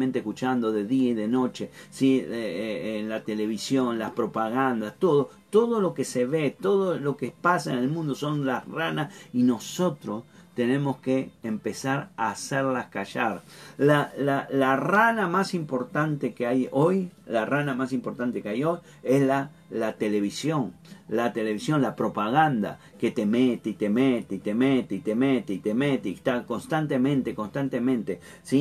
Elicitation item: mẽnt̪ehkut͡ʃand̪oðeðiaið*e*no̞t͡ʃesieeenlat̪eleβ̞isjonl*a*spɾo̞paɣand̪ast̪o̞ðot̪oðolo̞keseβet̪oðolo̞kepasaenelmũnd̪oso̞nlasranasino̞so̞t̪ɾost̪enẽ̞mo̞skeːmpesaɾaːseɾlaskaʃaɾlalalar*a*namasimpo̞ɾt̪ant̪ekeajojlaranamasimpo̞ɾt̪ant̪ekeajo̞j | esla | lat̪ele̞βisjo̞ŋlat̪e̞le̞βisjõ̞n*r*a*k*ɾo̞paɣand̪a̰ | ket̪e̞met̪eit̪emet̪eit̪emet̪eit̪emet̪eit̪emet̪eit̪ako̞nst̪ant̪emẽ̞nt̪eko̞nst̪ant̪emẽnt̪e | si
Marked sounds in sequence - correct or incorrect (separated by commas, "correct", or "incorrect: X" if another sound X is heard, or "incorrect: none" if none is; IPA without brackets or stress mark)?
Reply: correct, correct, correct, incorrect: l, incorrect: p